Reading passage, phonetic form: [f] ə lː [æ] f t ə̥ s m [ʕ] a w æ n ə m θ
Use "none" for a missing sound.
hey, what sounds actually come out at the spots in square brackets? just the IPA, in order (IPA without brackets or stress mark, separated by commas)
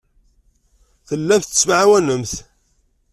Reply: θ, æ, ʕ